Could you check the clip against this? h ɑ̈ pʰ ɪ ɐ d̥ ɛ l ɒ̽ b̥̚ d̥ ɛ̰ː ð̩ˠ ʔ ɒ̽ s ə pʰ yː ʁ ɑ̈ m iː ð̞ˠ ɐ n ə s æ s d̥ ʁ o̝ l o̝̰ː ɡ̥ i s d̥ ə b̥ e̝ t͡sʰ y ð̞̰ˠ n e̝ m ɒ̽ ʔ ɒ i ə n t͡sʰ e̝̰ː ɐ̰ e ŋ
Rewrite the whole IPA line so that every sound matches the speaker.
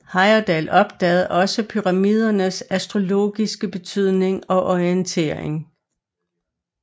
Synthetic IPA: h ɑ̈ ɪ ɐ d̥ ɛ l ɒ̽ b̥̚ d̥ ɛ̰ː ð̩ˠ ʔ ɒ̽ s ə pʰ y ʁ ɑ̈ m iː ð̞ˠ ɐ n ə s æ s d̥ ʁ o̝ l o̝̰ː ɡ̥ i s ɡ̥ ə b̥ e̝ t͡sʰ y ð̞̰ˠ n e̝ ŋ ɒ̽ ʔ ɒ i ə n t͡sʰ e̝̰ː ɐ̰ e ŋ